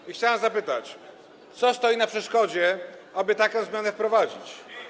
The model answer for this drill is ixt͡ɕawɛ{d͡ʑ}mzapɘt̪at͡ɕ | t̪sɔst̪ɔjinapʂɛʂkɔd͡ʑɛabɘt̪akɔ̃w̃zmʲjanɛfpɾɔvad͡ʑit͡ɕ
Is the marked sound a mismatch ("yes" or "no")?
yes